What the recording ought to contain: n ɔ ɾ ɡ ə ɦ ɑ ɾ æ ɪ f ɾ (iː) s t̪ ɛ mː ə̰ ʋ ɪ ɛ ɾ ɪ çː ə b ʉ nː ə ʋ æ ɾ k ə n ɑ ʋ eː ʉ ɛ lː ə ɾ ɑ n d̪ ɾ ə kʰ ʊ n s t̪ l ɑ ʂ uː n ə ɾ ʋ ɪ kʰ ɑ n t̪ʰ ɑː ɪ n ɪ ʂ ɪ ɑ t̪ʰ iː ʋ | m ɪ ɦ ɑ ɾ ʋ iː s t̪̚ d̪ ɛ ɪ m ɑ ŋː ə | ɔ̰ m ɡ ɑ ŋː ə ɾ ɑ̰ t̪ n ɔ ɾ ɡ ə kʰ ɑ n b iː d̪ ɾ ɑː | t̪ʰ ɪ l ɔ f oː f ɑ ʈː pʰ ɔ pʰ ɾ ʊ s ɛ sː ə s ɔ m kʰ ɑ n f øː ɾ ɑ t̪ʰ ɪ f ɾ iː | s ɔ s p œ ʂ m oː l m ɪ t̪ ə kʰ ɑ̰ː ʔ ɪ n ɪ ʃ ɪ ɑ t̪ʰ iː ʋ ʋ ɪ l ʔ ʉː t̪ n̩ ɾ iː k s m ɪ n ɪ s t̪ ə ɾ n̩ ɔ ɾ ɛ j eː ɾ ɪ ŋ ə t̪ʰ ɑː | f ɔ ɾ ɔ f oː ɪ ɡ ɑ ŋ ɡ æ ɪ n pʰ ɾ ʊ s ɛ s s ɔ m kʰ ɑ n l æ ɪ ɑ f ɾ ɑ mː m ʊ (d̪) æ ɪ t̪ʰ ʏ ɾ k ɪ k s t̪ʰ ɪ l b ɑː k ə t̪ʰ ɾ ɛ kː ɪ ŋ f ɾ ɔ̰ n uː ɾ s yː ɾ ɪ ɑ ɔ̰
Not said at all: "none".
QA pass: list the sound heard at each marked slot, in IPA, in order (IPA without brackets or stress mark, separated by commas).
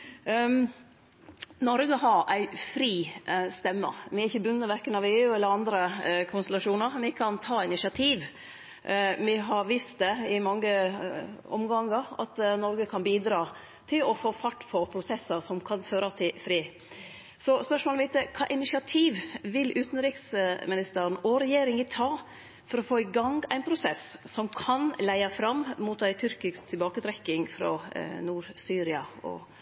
iː, t̪